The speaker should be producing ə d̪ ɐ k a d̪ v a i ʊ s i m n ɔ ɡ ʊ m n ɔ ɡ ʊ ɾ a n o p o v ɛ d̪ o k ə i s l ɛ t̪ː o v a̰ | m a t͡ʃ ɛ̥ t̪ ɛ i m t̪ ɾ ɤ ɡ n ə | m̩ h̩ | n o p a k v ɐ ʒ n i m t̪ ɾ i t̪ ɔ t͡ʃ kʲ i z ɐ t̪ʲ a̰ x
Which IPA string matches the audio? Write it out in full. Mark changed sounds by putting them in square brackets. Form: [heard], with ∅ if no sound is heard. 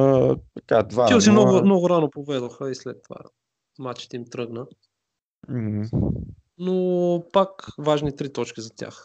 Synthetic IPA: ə [t̪] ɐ k a d̪ v a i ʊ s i m n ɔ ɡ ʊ m n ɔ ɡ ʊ ɾ a n o p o v ɛ d̪ o [x] ə i s l ɛ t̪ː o v a̰ | m a t͡ʃ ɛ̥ t̪ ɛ i m t̪ ɾ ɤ ɡ n ə | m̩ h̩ | n o p a k v [a] ʒ n i [∅] t̪ ɾ i t̪ ɔ t͡ʃ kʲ i z ɐ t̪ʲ a̰ x